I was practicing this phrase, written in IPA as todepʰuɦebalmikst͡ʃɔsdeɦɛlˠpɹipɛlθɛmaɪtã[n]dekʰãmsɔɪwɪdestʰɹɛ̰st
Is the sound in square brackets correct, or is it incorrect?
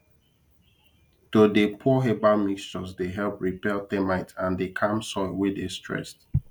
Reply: correct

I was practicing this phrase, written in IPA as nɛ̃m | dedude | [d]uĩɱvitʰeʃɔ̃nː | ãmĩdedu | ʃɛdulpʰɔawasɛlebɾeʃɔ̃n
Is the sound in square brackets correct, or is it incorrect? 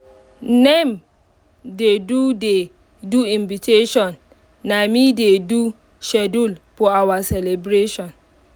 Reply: correct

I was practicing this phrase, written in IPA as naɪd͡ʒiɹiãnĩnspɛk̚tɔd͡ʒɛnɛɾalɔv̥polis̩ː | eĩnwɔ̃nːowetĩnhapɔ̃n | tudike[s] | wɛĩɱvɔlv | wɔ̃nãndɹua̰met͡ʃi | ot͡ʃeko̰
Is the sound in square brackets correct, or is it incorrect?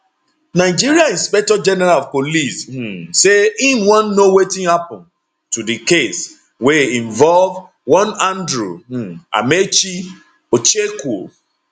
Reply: correct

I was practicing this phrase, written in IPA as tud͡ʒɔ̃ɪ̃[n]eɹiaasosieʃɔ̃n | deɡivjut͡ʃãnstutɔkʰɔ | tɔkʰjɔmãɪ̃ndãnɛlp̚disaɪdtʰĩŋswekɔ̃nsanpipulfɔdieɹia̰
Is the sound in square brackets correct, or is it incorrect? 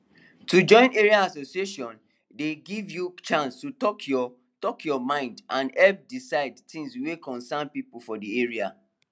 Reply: correct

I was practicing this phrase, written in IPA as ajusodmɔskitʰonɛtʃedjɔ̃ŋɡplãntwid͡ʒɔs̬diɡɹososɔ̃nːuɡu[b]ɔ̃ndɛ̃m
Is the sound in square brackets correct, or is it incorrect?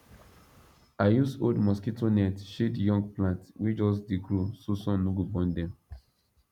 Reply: correct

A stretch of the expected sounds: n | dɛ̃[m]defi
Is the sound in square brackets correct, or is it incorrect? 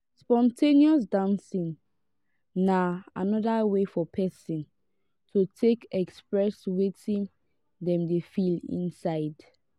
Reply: correct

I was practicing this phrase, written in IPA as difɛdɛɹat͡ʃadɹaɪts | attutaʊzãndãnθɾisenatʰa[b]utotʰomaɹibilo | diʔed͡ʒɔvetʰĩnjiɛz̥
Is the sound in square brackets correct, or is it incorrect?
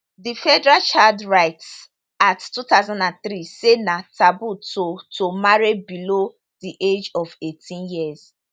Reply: correct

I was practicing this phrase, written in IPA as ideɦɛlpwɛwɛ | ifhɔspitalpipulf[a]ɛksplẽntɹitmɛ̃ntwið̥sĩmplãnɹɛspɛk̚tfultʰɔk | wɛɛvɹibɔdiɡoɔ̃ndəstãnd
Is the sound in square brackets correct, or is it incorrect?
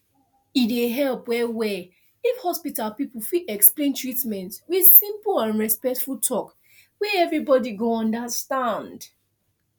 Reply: incorrect: i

